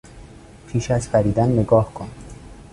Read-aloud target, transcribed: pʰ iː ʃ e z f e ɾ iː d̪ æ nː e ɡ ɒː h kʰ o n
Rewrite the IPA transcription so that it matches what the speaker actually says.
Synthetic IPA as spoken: pʰ iː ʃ æ z f æ ɾ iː d̪ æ nː e ɡ ɒː h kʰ o n